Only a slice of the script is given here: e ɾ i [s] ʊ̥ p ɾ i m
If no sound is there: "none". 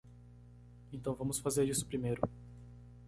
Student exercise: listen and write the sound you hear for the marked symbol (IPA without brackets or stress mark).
s